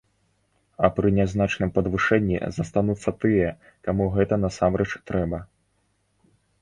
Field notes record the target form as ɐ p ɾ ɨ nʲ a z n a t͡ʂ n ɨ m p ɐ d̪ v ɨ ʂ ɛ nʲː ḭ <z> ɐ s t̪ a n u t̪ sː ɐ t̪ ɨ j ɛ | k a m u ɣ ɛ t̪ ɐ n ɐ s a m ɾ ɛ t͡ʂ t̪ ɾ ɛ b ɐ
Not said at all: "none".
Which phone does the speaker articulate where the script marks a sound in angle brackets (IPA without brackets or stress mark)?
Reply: z